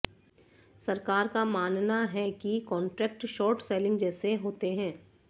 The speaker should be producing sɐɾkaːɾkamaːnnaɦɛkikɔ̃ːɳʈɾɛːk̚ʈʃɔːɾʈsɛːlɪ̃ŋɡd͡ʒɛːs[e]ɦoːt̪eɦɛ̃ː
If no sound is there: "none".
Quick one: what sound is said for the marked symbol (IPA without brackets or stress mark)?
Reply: e